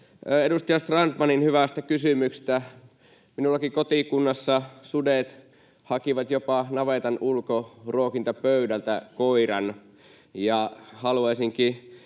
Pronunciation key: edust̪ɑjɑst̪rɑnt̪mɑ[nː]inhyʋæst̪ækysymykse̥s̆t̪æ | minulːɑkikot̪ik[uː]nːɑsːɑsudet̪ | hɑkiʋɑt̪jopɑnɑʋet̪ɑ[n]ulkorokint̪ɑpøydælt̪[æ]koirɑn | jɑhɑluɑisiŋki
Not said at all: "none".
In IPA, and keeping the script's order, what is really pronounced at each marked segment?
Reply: n, u, n, æ

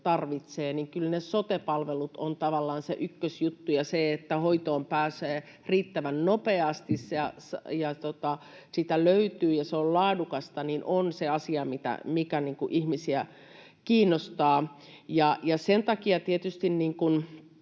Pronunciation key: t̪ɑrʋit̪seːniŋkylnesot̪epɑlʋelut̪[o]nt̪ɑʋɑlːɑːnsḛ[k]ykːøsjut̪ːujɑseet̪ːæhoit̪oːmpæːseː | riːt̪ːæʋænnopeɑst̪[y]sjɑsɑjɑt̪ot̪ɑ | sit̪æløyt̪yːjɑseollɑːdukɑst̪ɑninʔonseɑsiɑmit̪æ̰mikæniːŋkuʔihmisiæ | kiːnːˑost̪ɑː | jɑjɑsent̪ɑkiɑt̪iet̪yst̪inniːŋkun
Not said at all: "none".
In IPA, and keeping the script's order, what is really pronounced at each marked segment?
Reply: o, ʔ, i

